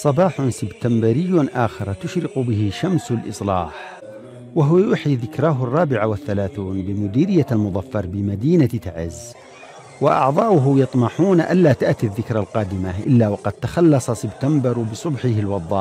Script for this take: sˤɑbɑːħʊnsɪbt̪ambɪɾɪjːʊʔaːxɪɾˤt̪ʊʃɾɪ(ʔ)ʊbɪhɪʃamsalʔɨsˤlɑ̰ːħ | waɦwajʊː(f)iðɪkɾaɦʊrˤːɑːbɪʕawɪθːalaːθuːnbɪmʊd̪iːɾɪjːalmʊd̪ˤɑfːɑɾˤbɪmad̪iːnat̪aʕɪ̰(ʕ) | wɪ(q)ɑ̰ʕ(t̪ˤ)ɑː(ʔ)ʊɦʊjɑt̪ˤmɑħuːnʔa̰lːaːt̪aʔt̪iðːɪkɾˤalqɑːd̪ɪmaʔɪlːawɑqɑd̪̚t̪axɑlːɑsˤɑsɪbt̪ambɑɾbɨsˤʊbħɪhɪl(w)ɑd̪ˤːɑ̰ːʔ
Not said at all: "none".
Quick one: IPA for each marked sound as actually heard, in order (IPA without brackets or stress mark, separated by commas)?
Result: q, ħ, z, ʔ, d̪ˤ, ʔ, w